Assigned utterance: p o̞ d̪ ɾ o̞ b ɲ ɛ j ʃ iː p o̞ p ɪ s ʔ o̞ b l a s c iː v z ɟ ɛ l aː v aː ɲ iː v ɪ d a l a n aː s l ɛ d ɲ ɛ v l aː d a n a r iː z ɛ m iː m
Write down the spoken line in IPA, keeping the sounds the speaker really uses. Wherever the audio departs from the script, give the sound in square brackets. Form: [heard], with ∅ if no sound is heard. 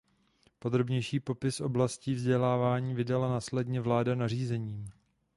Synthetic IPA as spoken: p o̞ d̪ ɾ o̞ b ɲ ɛ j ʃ iː p o̞ p ɪ s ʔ o̞ b l a s c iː v z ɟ ɛ l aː v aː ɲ iː v ɪ d a l a n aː s l ɛ d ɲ ɛ v l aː d a n a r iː z ɛ [ɲ] iː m